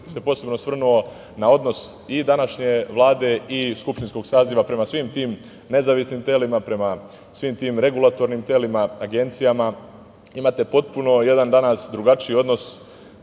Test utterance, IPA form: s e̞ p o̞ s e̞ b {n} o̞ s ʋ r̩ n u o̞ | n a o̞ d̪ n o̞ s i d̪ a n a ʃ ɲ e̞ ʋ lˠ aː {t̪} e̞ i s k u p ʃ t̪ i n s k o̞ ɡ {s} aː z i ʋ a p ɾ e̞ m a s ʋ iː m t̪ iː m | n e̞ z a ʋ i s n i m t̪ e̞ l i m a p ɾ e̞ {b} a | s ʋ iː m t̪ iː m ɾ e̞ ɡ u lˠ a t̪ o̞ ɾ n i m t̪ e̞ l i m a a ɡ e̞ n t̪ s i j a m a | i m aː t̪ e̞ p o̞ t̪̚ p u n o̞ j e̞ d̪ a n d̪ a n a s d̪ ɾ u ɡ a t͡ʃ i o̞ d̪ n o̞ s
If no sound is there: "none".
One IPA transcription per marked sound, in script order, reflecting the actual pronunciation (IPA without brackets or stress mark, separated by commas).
n, d̪, s, m